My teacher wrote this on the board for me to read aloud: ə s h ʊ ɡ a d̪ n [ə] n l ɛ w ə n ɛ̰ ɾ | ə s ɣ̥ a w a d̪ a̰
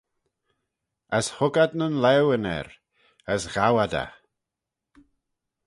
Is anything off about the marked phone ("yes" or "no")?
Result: no